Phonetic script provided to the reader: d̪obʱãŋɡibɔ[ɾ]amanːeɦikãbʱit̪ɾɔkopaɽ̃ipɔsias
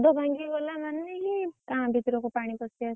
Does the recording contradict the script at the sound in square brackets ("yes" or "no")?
yes